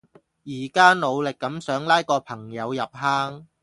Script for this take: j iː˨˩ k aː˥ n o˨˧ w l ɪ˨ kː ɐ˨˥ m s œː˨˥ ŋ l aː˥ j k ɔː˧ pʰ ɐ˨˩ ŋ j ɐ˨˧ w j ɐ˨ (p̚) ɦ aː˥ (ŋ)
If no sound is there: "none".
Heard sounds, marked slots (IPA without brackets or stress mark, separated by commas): p̚, ŋ